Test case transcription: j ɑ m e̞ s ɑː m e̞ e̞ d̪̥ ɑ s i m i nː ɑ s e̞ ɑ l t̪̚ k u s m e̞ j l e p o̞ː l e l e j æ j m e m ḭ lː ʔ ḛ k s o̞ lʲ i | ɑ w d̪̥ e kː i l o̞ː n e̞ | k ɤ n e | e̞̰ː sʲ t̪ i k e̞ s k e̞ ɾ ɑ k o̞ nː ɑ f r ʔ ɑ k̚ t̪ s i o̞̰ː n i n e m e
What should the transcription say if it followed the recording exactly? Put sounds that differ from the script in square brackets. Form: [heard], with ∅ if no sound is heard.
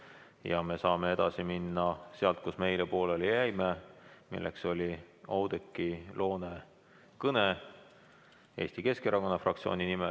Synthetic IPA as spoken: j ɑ m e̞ s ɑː m e̞ e̞ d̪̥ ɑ s i m i nː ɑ s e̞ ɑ l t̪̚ k u s m e̞ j l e p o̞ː l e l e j æ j m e m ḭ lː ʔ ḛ k s o̞ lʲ i | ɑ w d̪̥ e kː i l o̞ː n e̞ | k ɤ n e | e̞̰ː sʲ t̪ i k e̞ s k e̞ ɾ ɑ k o̞ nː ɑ f r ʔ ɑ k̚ t̪ s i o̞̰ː n i n [i] m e